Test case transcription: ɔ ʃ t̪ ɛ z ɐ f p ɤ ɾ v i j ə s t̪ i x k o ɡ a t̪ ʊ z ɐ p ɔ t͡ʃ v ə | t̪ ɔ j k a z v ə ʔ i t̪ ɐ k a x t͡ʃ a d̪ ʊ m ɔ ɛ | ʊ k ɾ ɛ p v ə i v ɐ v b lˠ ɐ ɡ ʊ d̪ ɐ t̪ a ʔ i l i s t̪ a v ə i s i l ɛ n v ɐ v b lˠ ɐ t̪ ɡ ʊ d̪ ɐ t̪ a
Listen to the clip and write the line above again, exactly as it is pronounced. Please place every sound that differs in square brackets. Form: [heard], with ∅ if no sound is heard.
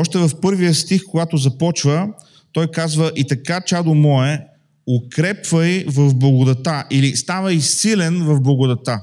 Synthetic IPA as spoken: ɔ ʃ t̪ ɛ [v] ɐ f p ɤ ɾ v i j ə s t̪ i x k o ɡ a t̪ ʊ z ɐ p ɔ t͡ʃ v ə | t̪ ɔ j k a z v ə ʔ i t̪ ɐ k a [∅] t͡ʃ a d̪ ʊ m ɔ ɛ | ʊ k ɾ ɛ p v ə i v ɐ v b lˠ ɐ ɡ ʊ d̪ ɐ t̪ a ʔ i l i s t̪ a v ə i s i l ɛ n v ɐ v b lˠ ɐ [∅] ɡ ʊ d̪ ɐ t̪ a